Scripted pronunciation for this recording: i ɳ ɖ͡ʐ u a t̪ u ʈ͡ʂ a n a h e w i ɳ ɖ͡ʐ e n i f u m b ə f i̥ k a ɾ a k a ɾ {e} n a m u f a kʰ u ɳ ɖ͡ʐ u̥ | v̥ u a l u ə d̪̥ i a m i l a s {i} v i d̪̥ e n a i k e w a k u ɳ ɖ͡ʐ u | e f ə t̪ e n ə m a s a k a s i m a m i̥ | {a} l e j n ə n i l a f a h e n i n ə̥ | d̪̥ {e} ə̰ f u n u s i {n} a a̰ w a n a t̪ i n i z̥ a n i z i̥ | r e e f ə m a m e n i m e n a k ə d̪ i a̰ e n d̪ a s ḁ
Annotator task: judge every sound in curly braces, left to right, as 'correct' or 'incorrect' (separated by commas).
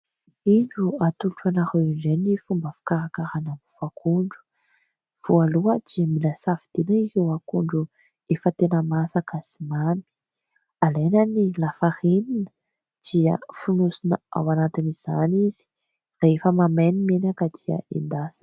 incorrect, incorrect, correct, incorrect, correct